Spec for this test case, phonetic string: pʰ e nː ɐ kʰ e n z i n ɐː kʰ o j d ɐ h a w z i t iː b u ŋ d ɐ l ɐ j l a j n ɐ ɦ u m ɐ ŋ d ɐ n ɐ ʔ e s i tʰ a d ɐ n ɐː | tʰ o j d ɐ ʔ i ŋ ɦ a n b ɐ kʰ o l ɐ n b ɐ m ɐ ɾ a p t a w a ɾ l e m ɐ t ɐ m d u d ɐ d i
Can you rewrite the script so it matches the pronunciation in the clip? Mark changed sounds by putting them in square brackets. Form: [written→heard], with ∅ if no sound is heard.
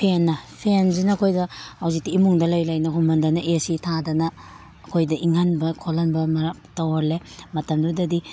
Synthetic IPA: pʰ e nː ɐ [kʰ→pʰ] e n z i n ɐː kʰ o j d ɐ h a w z i t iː [b→m] u ŋ d ɐ l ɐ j l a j n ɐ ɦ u m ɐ [ŋ→n] d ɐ n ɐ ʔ e s i tʰ a d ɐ n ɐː | [tʰ→kʰ] o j d ɐ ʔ i ŋ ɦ a n b ɐ kʰ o l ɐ n b ɐ m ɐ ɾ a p t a w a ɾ l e m ɐ t ɐ m d u d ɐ d i